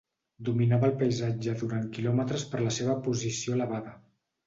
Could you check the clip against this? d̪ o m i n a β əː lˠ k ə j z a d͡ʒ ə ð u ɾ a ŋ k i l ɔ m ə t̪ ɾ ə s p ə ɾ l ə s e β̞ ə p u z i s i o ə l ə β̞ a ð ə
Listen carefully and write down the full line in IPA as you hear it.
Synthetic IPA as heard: d̪ u m i n a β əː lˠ p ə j z a d͡ʒ ə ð u ɾ a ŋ k i l ɔ m ə t̪ ɾ ə s p ə ɾ l ə s e β̞ ə p u z i s i o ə l ə β̞ a ð ə